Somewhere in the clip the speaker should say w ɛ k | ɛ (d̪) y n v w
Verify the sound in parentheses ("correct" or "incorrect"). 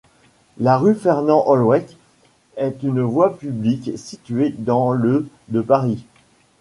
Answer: incorrect